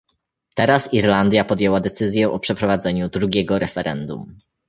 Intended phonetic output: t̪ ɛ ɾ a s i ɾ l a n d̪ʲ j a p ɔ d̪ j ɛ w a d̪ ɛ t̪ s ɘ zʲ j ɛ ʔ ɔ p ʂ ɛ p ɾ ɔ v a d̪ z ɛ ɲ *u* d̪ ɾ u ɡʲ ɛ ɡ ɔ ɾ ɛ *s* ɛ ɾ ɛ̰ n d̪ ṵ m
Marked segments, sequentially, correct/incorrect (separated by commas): correct, incorrect